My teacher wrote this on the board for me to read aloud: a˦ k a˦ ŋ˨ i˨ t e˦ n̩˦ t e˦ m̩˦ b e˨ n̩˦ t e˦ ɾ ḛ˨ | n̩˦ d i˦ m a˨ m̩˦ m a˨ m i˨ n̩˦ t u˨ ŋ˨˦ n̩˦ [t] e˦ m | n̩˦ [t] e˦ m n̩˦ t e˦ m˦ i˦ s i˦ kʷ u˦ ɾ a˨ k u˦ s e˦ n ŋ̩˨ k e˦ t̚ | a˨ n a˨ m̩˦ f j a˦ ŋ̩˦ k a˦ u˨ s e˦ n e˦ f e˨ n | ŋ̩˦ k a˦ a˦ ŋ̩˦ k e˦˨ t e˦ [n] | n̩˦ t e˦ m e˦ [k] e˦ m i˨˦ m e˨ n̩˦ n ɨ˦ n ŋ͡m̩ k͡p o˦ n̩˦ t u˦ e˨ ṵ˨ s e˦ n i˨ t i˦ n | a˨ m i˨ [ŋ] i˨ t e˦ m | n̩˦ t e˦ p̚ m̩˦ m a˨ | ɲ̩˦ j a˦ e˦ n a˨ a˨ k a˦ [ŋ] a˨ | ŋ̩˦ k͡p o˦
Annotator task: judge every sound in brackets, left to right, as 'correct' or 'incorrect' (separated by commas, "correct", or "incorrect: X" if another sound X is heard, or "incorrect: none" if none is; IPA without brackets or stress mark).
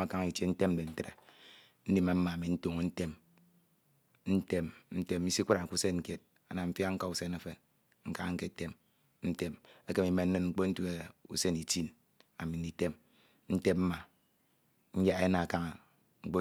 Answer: correct, correct, incorrect: m, correct, incorrect: n, correct